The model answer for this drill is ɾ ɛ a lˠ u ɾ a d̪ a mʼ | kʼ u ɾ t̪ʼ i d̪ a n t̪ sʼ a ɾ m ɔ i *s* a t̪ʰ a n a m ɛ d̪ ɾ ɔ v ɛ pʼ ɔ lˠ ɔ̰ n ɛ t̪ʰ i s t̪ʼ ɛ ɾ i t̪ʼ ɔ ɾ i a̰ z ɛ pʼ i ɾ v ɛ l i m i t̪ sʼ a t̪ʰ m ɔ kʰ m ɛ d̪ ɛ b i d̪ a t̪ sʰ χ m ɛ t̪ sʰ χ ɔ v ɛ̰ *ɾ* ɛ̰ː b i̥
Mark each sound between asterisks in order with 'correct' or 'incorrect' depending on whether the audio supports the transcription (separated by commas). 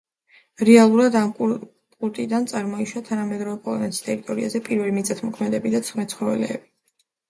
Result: incorrect, incorrect